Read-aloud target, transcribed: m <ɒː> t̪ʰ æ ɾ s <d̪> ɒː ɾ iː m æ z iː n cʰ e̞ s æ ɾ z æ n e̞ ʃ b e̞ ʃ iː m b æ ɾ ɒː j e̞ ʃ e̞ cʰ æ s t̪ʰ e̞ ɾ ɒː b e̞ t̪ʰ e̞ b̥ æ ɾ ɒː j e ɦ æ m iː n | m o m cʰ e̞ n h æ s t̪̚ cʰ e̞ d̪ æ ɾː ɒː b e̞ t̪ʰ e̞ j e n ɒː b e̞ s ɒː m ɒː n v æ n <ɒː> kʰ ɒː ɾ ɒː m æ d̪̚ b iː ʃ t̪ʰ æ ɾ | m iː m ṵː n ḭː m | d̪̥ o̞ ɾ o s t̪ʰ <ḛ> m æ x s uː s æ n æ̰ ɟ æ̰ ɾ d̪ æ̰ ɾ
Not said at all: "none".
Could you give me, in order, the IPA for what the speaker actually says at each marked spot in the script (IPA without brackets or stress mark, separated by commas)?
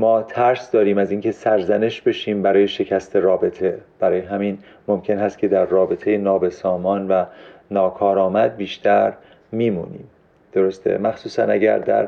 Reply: ɒː, d̪, ɒː, ḛ